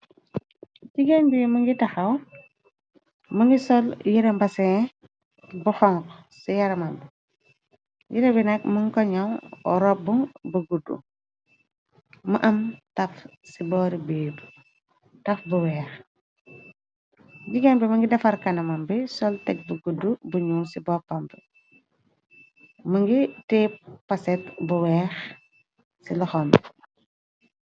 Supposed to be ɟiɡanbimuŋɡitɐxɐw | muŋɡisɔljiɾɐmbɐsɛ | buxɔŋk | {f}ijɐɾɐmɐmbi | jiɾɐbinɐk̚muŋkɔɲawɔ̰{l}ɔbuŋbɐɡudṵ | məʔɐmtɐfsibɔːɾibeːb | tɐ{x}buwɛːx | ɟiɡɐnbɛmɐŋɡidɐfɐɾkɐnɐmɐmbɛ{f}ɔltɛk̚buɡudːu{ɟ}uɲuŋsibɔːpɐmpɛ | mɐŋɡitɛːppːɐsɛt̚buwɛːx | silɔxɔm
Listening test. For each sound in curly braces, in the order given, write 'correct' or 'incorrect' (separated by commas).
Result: incorrect, incorrect, incorrect, incorrect, incorrect